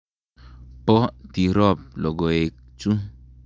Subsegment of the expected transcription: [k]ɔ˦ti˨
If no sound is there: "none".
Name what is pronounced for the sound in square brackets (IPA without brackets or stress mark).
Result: p